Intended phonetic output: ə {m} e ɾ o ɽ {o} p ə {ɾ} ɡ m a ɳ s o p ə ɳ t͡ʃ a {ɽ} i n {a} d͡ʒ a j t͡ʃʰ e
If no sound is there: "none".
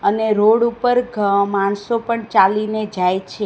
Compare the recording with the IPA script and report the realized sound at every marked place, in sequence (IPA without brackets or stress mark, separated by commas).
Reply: n, u, ɾ, l, e